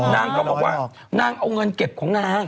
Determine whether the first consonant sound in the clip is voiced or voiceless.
voiced